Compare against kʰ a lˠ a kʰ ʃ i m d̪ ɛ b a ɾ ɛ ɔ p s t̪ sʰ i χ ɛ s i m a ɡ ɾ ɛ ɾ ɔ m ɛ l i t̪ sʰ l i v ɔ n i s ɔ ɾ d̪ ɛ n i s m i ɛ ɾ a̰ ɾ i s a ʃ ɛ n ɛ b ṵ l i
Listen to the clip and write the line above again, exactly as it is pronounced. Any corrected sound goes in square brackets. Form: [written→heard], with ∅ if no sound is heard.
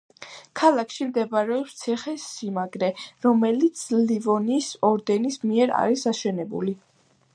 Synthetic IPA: kʰ a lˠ a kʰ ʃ i m d̪ ɛ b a ɾ ɛ ɔ p s t̪ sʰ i χ ɛ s i m a ɡ ɾ ɛ ɾ ɔ m ɛ l i t̪ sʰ l i v ɔ n i s ɔ ɾ d̪ ɛ n i s m i ɛ ɾ a̰ ɾ i s a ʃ ɛ n ɛ b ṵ l i